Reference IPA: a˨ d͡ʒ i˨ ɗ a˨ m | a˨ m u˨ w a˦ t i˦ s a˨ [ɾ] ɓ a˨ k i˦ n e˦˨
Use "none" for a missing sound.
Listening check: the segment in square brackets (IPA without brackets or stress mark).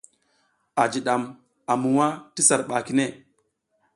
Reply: ɾ